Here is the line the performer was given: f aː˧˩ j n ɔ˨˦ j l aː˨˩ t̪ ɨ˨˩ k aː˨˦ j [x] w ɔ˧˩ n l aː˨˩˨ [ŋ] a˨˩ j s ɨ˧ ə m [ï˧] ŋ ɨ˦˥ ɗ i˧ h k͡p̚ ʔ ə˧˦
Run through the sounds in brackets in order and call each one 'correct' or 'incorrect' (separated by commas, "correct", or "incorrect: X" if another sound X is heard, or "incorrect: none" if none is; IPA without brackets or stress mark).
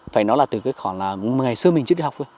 correct, correct, incorrect: ï˨˩